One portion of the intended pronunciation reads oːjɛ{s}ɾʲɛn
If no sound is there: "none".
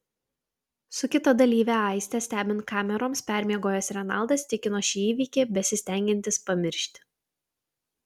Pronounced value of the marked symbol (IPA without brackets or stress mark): s